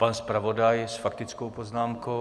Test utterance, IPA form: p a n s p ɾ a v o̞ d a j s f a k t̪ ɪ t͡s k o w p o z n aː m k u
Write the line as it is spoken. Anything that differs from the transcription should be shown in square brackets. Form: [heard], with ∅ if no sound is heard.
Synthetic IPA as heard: p a n s p ɾ a v o̞ d a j s f a k t̪ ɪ t͡s k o w p o z n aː m k [o]